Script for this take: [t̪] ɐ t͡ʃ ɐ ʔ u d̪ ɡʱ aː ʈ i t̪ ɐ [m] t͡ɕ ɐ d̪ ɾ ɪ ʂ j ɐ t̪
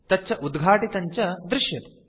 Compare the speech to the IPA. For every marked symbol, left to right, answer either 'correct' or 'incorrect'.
correct, incorrect: ɲ

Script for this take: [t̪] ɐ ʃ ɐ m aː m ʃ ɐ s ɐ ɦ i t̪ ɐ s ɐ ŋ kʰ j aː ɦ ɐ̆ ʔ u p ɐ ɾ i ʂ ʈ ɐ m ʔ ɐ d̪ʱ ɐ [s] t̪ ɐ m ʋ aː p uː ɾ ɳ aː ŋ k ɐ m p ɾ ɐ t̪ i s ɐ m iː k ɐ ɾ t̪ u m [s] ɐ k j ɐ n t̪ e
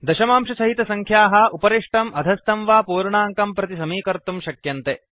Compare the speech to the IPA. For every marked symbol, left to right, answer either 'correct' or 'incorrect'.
incorrect: d̪, correct, incorrect: ʃ

